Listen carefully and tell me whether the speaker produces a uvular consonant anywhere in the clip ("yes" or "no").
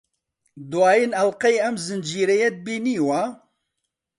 yes